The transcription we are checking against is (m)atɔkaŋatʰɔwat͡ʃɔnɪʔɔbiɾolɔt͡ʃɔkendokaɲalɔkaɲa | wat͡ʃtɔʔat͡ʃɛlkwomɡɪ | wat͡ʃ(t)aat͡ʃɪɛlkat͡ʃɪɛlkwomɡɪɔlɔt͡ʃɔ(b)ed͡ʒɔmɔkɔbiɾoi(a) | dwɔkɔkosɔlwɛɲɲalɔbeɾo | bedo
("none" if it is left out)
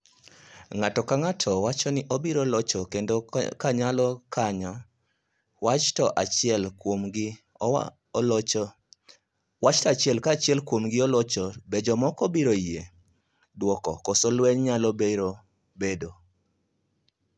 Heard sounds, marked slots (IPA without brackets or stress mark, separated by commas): ŋ, t, b, e